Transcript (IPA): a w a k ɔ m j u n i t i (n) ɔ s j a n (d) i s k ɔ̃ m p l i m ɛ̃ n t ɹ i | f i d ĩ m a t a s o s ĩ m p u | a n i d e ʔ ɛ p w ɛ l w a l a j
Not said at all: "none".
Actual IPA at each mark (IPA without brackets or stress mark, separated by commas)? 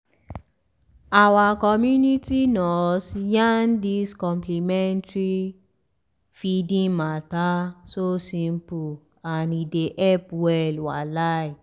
n, d